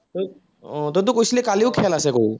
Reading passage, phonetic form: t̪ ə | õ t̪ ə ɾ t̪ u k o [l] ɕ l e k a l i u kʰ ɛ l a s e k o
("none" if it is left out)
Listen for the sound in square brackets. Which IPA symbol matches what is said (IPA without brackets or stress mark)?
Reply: none